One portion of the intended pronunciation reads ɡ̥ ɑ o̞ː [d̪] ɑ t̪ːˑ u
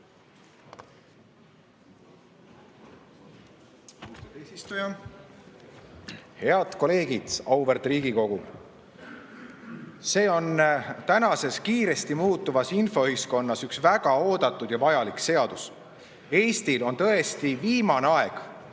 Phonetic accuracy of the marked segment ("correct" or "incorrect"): correct